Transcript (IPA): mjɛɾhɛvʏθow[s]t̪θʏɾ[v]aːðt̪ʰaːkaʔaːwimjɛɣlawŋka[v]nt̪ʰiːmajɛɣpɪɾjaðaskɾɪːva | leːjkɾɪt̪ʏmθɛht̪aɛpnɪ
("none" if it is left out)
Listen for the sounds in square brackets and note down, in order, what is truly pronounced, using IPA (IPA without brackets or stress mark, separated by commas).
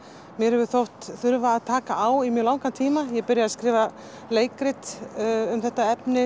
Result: h, v, none